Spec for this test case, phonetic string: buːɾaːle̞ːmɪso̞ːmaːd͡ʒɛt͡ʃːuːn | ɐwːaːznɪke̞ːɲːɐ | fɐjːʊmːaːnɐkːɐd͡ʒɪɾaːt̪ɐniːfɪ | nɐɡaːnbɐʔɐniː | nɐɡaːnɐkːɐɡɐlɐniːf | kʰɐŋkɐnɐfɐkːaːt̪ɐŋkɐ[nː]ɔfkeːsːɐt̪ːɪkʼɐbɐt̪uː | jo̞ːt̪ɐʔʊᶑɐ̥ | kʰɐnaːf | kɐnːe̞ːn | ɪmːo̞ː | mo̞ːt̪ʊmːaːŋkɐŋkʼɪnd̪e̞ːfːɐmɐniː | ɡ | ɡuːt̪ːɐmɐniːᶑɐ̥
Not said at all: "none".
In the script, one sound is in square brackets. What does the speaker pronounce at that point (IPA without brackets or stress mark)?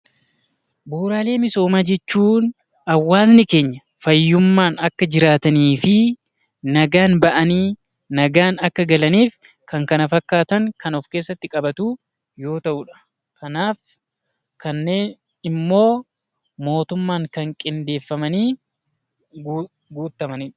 n